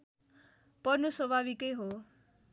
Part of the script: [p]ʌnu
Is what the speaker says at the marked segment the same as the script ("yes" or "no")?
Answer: yes